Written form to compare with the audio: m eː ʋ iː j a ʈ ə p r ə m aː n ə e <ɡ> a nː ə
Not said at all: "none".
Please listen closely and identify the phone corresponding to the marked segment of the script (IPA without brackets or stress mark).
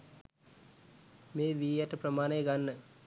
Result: ɡ